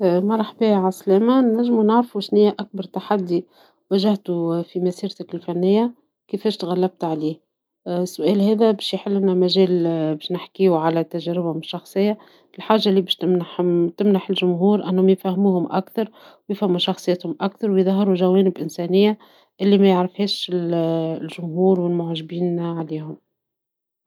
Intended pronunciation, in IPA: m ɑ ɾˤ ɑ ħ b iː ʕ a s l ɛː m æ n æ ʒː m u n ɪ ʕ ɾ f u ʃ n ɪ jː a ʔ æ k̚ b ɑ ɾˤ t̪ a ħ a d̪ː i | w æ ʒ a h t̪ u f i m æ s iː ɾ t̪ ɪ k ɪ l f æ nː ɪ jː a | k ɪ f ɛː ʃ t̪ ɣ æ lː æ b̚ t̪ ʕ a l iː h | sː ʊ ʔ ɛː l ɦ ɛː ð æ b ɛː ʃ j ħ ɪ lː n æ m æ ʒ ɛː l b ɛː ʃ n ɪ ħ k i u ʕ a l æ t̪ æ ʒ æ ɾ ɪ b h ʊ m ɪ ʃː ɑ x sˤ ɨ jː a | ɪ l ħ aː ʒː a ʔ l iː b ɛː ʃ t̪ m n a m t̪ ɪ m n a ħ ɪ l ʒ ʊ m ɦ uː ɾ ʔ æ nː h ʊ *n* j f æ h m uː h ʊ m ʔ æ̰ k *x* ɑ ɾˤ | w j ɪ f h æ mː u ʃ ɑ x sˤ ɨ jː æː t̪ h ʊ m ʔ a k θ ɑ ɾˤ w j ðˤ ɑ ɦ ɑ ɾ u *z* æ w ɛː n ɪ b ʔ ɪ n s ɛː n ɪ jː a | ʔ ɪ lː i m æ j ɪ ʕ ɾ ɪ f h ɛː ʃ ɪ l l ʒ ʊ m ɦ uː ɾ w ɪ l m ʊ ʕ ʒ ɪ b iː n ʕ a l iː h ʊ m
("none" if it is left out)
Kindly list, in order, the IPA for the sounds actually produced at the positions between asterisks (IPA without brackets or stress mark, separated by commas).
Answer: m, θ, ʒ